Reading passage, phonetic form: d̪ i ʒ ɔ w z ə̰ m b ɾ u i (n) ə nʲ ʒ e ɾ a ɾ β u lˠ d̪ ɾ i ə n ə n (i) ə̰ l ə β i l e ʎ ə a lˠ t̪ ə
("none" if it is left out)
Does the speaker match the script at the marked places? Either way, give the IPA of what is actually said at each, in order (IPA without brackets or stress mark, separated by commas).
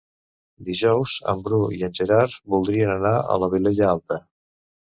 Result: none, a